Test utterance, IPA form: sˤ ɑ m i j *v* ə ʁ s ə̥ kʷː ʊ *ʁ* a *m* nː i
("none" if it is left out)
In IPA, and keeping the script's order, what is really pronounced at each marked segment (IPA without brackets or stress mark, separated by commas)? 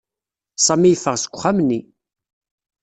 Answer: f, χ, m